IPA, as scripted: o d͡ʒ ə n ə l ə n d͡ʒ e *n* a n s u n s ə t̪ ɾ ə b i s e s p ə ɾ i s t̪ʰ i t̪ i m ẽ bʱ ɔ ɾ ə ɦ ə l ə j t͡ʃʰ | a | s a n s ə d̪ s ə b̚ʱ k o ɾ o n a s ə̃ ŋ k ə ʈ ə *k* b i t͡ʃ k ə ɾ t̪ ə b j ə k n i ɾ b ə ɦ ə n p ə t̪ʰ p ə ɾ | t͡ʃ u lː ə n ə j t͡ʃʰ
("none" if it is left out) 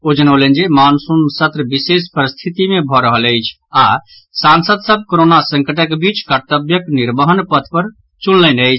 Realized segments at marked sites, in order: m, k

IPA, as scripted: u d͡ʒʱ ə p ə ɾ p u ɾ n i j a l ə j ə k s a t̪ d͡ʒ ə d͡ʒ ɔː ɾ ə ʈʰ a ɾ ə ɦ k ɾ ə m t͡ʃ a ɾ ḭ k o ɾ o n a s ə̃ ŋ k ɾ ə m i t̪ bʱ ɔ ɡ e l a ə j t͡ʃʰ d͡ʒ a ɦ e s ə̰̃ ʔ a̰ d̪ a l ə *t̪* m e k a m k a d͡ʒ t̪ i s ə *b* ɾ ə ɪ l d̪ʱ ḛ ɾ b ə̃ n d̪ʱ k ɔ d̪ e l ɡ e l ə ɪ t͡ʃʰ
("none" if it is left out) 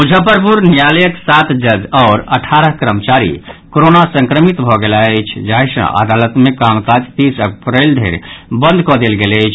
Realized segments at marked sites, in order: t̪, p

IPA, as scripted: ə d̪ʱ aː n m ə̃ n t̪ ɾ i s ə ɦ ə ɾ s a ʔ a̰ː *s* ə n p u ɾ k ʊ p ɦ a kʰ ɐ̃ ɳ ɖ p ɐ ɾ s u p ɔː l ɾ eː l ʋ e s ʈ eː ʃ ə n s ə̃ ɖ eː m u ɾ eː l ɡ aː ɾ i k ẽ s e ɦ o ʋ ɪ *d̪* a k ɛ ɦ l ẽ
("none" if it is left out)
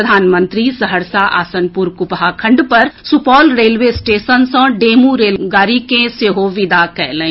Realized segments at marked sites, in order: s, d̪

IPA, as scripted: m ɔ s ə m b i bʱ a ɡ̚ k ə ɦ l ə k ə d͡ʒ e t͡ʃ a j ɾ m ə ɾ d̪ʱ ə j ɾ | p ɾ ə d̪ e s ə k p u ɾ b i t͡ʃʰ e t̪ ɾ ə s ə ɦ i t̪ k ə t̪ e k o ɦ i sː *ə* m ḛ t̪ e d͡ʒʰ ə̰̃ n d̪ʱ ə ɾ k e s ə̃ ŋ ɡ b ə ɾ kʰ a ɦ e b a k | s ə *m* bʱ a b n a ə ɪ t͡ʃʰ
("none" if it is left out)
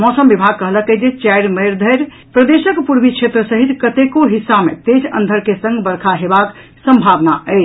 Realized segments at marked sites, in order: a, m

